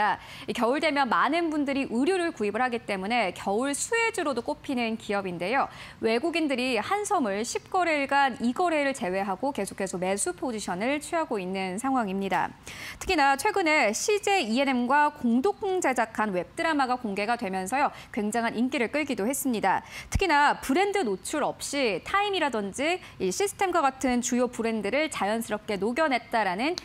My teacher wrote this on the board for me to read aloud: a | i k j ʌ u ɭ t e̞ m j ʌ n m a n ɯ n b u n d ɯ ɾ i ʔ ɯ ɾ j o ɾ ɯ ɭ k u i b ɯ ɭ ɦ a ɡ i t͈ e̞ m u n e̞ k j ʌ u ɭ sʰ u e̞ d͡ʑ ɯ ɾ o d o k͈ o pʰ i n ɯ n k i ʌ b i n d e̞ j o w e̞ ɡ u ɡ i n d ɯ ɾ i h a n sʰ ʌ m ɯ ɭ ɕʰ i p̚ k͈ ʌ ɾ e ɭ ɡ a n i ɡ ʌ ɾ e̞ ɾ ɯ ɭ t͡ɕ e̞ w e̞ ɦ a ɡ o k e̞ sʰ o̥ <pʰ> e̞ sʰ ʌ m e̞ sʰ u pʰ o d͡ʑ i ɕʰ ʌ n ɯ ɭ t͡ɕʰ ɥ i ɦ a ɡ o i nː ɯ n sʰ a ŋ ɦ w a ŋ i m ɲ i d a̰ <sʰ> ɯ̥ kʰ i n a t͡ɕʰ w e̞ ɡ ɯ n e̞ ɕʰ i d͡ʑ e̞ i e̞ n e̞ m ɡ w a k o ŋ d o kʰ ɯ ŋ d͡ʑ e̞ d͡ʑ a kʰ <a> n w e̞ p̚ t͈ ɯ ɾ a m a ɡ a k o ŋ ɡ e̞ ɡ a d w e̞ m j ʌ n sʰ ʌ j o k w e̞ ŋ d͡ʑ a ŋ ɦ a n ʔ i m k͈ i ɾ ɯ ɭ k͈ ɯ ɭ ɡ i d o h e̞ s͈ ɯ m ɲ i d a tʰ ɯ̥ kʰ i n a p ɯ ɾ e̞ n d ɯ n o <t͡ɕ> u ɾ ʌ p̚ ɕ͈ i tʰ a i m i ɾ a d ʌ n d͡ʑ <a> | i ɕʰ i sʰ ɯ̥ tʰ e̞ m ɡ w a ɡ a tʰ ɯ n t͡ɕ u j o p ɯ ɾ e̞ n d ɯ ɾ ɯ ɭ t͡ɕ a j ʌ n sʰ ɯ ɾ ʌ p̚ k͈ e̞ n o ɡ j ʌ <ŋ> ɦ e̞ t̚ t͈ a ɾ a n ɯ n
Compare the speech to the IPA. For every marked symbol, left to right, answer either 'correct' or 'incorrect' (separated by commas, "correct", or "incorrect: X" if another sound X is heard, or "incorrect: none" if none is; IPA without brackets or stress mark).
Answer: incorrect: kʰ, incorrect: tʰ, correct, incorrect: t͡ɕʰ, incorrect: i, incorrect: n